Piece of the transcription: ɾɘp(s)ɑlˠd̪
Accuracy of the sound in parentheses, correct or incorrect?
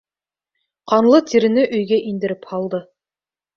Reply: incorrect